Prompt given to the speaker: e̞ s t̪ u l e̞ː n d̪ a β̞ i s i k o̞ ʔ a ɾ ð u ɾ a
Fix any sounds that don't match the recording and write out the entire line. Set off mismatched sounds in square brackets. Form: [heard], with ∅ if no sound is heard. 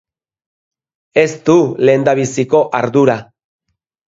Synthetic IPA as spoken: e̞ s t̪ u l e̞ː n d̪ a β̞ i s i k o̞ ʔ a ɾ ð u ɾ a

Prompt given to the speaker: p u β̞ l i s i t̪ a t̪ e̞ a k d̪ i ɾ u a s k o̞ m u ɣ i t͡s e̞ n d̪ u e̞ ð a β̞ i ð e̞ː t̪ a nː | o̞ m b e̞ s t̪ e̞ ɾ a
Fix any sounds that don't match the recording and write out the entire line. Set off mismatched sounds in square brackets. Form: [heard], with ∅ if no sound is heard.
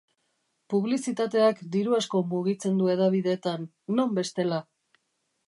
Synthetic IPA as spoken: p u β̞ l i s i t̪ a t̪ e̞ a k d̪ i ɾ u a s k o̞ m u ɣ i t͡s e̞ n d̪ u e̞ ð a β̞ i ð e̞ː t̪ a nː | o̞ m b e̞ s t̪ e̞ [l] a

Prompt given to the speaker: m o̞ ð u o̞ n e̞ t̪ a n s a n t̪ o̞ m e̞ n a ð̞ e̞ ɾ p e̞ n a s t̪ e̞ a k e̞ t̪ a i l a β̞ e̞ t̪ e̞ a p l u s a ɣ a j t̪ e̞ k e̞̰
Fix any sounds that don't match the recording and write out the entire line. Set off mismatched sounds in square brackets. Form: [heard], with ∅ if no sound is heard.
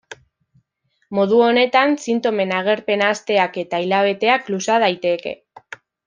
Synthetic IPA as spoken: m o̞ ð u o̞ n e̞ t̪ a n s [i] n t̪ o̞ m e̞ n a [ɣ̞] e̞ ɾ p e̞ n a s t̪ e̞ a k e̞ t̪ a i l a β̞ e̞ t̪ e̞ a [k] l u s a [ð] a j t̪ e̞ k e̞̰

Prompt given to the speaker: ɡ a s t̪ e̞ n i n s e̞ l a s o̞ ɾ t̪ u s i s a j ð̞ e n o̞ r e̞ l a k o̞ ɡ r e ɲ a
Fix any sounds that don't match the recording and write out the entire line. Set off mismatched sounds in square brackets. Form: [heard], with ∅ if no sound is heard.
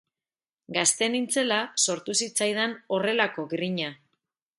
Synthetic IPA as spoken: ɡ a s t̪ e̞ n i n [t͡s] e̞ l a s o̞ ɾ t̪ u s i [t͡s] a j ð̞ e n o̞ r e̞ l a k o̞ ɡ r [i] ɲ a

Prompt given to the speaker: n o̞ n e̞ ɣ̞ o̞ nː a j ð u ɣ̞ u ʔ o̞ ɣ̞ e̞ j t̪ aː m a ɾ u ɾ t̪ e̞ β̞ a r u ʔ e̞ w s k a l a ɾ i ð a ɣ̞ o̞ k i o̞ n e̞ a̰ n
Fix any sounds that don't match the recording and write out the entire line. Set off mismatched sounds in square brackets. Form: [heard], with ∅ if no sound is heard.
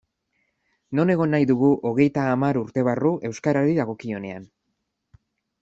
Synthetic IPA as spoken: n o̞ n e̞ ɣ̞ o̞ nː a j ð u ɣ̞ u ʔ o̞ ɣ̞ e̞ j t̪ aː m a ɾ u ɾ t̪ e̞ β̞ a r u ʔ e̞ w s k a [ɾ] a ɾ i ð a ɣ̞ o̞ k i o̞ n e̞ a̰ n

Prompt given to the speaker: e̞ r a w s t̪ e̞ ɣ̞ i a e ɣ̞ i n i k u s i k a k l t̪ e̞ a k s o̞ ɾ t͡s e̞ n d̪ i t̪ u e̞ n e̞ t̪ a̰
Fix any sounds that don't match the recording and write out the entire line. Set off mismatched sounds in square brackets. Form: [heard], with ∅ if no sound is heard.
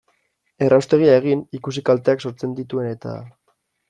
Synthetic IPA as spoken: e̞ r a w s t̪ e̞ ɣ̞ i a e ɣ̞ i n i k u s i k a [∅] l t̪ e̞ a k s o̞ ɾ t͡s e̞ n d̪ i t̪ u e̞ n e̞ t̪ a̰

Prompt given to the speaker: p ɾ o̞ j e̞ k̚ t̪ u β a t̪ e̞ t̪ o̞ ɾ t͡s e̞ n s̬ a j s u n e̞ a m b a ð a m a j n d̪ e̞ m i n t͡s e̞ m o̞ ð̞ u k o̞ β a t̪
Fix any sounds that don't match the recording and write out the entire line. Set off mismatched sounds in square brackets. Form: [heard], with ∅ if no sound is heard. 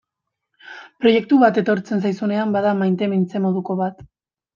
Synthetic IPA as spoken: p ɾ o̞ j e̞ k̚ t̪ u β a t̪ e̞ t̪ o̞ ɾ t͡s e̞ n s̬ a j s u n e̞ a m b a ð a m a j n [t̪] e̞ m i n t͡s e̞ m o̞ ð̞ u k o̞ β a t̪

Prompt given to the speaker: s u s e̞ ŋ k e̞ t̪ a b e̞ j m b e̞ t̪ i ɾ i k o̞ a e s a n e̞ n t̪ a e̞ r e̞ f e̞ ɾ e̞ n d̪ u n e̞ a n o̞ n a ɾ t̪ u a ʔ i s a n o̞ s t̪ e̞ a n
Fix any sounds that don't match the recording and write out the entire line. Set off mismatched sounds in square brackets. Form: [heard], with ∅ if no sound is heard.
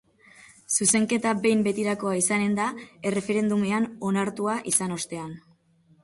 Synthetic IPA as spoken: s u s e̞ ŋ k e̞ t̪ a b e̞ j m b e̞ t̪ i ɾ [a] k o̞ a [i] s a n e̞ n [d̪] a e̞ r e̞ f e̞ ɾ e̞ n d̪ u [m] e̞ a n o̞ n a ɾ t̪ u a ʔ i s a n o̞ s t̪ e̞ a n

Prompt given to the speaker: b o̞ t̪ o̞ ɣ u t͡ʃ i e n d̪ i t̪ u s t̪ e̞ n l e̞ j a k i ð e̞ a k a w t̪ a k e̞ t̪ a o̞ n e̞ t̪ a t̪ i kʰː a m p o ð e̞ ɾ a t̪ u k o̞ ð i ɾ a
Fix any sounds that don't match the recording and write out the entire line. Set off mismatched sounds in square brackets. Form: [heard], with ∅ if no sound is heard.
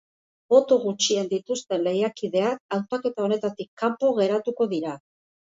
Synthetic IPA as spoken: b o̞ t̪ o̞ ɣ u t͡ʃ i e n d̪ i t̪ u s t̪ e̞ n l e̞ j a k i ð e̞ a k a w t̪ a k e̞ t̪ a o̞ n e̞ t̪ a t̪ i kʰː a m p o [ɣ] e̞ ɾ a t̪ u k o̞ ð i ɾ a

